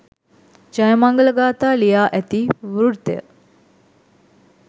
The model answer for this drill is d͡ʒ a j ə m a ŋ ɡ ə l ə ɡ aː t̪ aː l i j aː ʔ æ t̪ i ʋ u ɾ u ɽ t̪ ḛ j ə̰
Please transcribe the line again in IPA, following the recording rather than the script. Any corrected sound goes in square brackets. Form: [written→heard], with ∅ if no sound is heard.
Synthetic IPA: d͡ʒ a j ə m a ŋ ɡ ə l ə ɡ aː t̪ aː l i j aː ʔ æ t̪ i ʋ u ɾ u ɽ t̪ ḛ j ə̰